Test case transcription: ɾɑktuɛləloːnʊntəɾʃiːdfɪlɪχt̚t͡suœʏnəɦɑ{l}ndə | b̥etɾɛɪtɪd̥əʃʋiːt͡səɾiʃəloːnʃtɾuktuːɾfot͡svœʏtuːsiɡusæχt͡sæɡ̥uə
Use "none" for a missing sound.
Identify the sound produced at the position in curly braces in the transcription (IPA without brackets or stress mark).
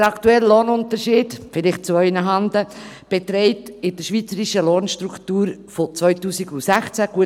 none